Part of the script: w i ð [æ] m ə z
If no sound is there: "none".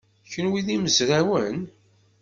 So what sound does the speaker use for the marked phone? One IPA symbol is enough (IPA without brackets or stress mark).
i